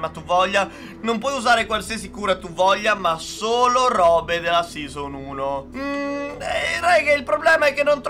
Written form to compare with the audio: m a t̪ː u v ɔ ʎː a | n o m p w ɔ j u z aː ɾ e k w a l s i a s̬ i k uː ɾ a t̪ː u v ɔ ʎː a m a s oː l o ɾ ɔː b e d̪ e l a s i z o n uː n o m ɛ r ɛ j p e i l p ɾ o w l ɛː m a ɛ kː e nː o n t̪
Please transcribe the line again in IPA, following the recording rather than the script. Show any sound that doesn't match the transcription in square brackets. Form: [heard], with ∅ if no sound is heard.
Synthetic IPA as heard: m a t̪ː u v ɔ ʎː a | n o m p w ɔ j u z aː ɾ e k w a l s i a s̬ i k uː ɾ a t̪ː u v ɔ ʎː a m a s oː l o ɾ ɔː b e d̪ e l a s i z o n uː n o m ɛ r ɛ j [k] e i l p ɾ o [b] l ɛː m a ɛ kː e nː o n t̪